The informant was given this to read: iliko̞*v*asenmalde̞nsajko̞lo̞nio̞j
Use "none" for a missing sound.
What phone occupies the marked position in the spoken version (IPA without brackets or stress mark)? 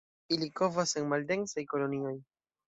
v